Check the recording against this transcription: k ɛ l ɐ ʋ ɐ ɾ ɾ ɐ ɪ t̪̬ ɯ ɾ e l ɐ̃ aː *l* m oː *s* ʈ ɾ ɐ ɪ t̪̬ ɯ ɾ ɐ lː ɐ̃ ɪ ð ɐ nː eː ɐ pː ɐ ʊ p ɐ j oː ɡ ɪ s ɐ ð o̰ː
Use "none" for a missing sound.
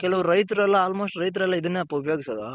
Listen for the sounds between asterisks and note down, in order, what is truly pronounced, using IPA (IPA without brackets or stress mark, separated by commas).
l, s